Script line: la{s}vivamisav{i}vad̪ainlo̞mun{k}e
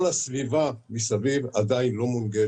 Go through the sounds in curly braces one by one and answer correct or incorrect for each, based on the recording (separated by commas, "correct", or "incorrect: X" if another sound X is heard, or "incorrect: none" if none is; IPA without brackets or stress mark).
correct, correct, incorrect: ɡ